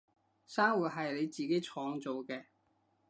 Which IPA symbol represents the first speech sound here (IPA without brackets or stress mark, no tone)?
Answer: s